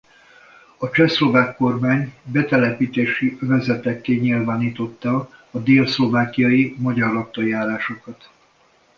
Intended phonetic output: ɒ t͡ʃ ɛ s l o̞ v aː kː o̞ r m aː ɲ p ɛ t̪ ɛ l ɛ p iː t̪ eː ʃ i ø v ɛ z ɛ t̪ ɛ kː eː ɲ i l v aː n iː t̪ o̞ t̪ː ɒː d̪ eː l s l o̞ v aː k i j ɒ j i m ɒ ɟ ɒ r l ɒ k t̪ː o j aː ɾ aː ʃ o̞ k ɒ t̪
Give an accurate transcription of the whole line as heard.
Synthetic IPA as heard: ɒ t͡ʃ ɛ s l o̞ v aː kː o̞ r m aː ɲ b ɛ t̪ ɛ l ɛ p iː t̪ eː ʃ i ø v ɛ z ɛ t̪ ɛ kː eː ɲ i l v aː n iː t̪ o̞ t̪ː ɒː d̪ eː l s l o̞ v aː k i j ɒ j i m ɒ ɟ ɒ r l ɒ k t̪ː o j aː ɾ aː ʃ o̞ k ɒ t̪